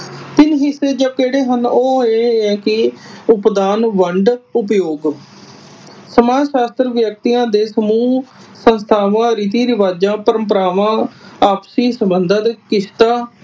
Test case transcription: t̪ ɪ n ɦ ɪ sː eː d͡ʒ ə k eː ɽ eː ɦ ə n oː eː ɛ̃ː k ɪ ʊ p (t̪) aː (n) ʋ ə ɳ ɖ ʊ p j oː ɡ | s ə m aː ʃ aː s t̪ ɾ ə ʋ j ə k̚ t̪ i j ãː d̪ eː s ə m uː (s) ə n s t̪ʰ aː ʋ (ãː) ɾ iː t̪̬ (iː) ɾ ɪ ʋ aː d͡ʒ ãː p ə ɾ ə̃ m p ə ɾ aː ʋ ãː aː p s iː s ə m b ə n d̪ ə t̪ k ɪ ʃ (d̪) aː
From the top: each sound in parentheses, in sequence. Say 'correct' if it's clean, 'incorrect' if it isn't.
incorrect, correct, correct, correct, correct, incorrect

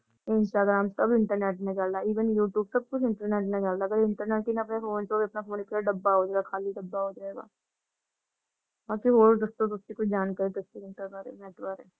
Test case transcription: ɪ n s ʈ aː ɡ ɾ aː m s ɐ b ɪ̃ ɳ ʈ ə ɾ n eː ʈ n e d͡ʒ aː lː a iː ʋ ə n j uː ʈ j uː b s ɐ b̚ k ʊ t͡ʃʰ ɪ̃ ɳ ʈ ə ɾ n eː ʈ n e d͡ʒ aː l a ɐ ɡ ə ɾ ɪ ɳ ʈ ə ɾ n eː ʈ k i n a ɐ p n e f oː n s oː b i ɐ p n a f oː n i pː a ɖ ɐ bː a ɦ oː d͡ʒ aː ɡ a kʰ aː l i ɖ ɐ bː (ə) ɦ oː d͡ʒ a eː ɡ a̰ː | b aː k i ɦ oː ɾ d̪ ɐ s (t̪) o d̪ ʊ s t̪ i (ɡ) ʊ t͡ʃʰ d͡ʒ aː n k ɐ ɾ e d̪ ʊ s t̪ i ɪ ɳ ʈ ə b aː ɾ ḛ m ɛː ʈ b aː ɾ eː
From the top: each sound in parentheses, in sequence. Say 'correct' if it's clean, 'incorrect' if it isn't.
incorrect, correct, incorrect

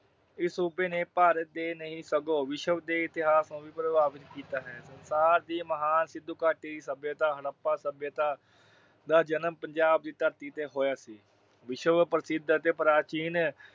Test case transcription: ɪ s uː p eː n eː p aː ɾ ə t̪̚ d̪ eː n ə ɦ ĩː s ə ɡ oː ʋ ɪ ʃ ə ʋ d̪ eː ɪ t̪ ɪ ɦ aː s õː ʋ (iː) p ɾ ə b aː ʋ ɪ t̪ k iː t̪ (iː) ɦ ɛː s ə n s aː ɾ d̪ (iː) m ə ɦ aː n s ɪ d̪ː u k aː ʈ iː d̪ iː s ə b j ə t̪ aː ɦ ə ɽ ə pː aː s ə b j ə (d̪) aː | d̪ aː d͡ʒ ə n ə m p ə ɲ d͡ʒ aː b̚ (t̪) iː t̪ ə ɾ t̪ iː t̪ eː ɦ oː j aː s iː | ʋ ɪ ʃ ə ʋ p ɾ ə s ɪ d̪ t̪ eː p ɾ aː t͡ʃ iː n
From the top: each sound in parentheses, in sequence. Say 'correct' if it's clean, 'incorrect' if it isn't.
correct, incorrect, correct, incorrect, incorrect

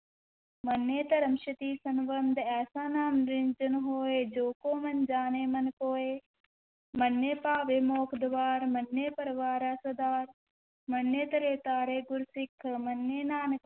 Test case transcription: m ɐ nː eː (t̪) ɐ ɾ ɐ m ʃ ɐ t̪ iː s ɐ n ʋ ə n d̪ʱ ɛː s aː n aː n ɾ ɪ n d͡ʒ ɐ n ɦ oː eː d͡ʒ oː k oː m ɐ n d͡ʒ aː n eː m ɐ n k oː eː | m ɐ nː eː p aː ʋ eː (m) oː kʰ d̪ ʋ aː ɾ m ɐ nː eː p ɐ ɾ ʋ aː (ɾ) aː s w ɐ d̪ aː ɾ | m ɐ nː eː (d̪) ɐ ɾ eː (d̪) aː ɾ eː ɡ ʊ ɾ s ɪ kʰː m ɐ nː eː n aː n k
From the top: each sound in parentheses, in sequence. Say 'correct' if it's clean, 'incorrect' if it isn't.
correct, correct, correct, incorrect, incorrect

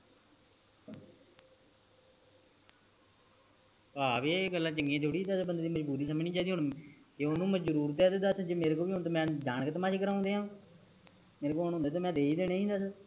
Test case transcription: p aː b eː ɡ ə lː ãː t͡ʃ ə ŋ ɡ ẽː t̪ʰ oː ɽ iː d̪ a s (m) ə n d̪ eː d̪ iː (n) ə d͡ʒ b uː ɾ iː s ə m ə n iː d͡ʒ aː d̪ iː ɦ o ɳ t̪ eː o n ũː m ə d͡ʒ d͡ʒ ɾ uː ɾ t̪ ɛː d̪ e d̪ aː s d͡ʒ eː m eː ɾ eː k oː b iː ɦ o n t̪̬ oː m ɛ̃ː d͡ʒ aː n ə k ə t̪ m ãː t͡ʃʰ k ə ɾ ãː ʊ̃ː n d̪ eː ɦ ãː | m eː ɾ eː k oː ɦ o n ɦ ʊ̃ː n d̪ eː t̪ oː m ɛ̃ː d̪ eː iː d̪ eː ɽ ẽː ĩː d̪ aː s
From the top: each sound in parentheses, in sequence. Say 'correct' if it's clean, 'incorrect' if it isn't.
incorrect, incorrect

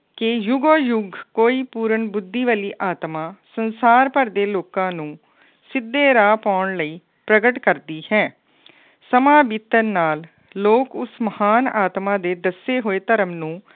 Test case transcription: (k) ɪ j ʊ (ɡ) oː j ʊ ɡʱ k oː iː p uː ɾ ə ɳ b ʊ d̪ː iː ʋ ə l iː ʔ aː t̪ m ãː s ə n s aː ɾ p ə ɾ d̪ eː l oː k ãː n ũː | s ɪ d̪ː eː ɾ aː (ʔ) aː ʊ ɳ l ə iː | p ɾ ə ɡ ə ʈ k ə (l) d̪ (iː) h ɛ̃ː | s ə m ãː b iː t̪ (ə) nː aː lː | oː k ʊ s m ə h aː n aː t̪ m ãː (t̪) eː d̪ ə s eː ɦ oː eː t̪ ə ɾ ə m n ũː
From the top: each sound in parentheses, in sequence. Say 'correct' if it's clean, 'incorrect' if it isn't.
correct, correct, incorrect, incorrect, correct, correct, incorrect

